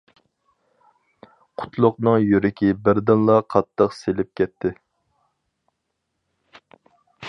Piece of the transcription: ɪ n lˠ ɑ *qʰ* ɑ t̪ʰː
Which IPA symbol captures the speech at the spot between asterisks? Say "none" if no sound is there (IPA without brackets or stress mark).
qʰ